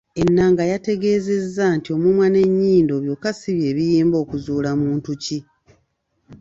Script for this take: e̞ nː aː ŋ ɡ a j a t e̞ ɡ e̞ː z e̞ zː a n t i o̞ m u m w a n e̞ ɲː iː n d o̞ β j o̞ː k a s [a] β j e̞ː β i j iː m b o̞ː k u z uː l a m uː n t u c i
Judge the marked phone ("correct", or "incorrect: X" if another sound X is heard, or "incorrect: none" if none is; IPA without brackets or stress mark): incorrect: i